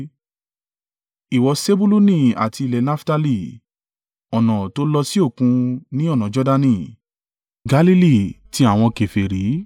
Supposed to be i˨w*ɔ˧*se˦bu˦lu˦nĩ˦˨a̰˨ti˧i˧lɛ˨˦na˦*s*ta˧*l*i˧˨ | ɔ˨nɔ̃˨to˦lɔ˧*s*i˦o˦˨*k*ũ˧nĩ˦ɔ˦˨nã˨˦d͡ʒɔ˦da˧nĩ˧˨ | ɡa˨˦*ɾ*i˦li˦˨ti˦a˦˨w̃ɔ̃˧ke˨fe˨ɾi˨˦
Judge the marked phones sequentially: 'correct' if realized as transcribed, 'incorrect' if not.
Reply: correct, incorrect: f, correct, correct, correct, incorrect: l

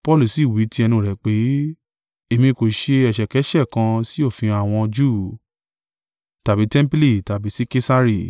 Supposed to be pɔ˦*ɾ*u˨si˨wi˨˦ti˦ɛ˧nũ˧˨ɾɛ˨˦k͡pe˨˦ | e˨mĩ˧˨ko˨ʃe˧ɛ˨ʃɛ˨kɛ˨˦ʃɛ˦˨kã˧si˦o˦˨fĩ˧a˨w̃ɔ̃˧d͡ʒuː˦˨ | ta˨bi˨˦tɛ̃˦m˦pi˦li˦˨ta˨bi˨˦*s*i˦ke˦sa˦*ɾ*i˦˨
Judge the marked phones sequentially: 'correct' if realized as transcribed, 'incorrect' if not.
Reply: incorrect: l, correct, correct

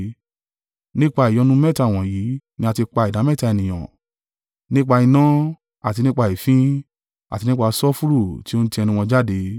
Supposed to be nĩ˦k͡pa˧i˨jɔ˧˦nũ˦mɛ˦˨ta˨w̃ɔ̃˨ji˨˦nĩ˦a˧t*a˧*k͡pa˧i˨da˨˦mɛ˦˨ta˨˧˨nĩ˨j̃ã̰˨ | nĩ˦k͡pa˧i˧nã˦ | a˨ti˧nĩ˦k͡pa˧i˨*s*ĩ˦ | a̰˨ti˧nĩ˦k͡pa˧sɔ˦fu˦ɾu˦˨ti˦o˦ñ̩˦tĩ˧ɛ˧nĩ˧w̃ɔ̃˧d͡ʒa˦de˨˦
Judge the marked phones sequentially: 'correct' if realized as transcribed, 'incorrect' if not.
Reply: incorrect: i˧, incorrect: f

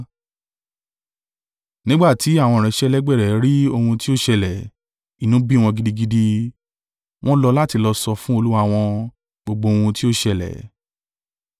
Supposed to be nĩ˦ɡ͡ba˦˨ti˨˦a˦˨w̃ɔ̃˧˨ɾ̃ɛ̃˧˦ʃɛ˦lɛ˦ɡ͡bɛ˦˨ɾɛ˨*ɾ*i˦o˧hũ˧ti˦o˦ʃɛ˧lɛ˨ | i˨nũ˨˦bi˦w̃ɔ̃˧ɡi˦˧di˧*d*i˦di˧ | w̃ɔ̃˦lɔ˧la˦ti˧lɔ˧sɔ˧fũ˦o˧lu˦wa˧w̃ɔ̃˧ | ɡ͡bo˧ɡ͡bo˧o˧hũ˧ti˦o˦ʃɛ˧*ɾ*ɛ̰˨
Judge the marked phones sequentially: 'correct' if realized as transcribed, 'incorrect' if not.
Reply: correct, incorrect: ɡ, incorrect: l

